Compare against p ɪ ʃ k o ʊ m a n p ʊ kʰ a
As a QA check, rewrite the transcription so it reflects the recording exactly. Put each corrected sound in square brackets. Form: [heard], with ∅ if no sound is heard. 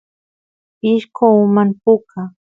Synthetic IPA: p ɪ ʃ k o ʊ m a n p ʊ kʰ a

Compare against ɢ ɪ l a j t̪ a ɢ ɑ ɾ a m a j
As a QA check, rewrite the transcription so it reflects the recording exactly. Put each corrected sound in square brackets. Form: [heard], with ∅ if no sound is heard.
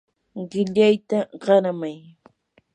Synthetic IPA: ɢ ɪ [ʎ] a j t̪ a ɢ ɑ ɾ a m a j

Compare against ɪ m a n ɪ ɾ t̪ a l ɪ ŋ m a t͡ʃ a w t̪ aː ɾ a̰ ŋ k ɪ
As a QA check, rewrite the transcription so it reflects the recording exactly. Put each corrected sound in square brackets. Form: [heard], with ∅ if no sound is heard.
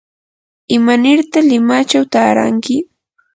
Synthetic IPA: ɪ m a n ɪ ɾ t̪ a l ɪ [∅] m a t͡ʃ a w t̪ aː ɾ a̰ ŋ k ɪ

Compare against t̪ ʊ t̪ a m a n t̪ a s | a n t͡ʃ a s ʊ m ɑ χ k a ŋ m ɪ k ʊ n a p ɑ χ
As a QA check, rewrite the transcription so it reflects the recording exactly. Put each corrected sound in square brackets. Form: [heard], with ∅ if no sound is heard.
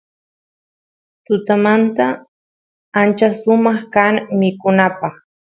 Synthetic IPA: t̪ ʊ t̪ a m a n t̪ a [∅] | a n t͡ʃ a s ʊ m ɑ χ k a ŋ m ɪ k ʊ n a p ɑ χ

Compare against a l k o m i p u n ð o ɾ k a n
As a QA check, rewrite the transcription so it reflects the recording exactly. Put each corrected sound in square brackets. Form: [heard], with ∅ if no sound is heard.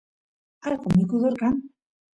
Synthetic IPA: a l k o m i [k] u [∅] ð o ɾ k a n

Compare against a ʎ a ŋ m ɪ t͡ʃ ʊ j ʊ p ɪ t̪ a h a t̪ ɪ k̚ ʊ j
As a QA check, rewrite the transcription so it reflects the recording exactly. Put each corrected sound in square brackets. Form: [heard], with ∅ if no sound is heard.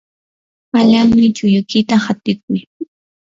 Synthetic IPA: a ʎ a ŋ m ɪ t͡ʃ ʊ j ʊ [k] ɪ t̪ a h a t̪ ɪ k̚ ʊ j

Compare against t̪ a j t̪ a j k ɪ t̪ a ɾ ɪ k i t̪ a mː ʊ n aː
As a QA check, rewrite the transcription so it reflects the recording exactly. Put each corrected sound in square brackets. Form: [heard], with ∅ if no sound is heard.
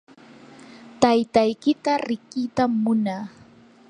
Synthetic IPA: t̪ a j t̪ a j k ɪ t̪ a ɾ ɪ k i t̪ a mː ʊ n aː

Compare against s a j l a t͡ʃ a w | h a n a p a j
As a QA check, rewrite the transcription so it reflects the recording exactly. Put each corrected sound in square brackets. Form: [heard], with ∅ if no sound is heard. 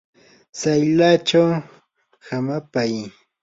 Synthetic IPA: s a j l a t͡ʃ a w | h a [m] a p a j

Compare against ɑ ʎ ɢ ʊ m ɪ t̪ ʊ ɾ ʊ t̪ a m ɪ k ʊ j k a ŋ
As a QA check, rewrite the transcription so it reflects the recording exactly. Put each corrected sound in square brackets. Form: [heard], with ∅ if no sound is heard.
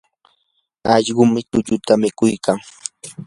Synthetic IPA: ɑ ʎ ɢ ʊ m ɪ t̪ ʊ [ʎ] ʊ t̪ a m ɪ k ʊ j k a ŋ

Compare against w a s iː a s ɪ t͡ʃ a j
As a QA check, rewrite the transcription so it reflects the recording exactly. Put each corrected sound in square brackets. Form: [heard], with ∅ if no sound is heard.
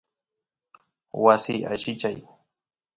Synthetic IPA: w a s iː a [ʃ] ɪ t͡ʃ a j

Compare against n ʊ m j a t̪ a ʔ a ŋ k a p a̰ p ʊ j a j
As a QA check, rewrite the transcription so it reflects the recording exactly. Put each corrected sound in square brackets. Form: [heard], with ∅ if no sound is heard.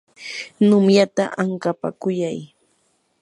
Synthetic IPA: n ʊ m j a t̪ a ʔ a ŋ k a p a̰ [k] ʊ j a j

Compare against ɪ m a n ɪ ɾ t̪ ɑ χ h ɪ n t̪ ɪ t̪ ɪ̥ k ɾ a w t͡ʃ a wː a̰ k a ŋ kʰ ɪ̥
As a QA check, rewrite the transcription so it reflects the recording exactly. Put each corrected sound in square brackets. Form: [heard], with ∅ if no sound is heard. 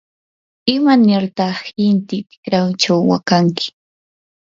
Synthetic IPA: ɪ m a n ɪ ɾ t̪ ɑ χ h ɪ n t̪ ɪ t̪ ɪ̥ k ɾ a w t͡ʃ a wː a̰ k a ŋ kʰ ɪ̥

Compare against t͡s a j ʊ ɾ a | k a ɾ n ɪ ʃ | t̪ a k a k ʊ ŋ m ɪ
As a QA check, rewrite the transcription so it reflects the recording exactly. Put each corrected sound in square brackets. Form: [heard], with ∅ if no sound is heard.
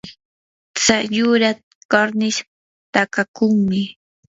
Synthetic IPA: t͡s a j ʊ ɾ a | k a ɾ n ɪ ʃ | t̪ a k a k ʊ ŋ m ɪ

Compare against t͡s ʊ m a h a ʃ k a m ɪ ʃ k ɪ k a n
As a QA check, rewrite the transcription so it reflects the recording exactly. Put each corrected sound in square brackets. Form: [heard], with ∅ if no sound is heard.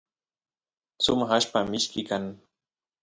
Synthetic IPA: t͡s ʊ m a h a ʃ [p] a m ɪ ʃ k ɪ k a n

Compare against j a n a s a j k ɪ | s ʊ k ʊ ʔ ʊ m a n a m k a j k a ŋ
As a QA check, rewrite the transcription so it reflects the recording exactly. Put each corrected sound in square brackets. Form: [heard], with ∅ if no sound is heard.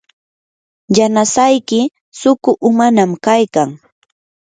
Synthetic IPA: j a n a s a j k ɪ | s ʊ k ʊ ʔ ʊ m a n a m k a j k a ŋ

